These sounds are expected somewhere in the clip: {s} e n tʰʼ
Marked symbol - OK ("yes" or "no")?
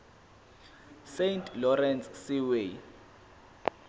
yes